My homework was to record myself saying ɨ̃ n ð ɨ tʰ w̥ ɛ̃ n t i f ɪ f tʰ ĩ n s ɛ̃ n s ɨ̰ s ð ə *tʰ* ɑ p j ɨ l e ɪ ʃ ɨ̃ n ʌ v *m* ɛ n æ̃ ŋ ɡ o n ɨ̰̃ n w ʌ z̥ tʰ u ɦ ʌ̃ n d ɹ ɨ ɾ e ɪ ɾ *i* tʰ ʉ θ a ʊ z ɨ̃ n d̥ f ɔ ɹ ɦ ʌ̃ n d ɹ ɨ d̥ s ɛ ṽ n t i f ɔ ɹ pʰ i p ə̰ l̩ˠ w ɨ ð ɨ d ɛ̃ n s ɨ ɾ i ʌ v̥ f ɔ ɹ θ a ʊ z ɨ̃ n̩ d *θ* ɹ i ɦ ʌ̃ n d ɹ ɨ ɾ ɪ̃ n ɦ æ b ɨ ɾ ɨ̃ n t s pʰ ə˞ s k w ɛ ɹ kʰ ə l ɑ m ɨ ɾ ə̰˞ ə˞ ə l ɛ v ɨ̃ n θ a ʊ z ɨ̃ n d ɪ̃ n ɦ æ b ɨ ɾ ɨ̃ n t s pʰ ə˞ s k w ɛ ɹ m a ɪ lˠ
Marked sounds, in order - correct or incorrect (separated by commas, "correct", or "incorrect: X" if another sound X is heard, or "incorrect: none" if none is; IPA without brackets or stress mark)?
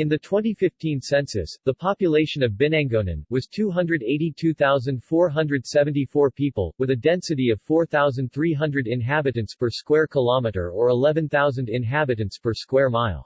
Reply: incorrect: pʰ, incorrect: b, correct, correct